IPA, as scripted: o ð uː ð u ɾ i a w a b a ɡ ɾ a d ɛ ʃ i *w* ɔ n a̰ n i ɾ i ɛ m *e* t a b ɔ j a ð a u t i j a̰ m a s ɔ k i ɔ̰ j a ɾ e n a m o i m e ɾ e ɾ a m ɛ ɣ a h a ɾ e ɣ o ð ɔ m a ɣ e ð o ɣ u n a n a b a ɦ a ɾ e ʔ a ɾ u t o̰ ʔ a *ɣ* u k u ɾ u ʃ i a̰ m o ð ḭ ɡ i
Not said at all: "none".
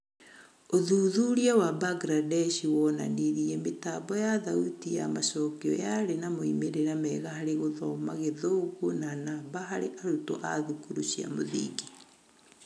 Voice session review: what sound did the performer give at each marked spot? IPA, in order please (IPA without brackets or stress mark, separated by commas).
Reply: w, e, ð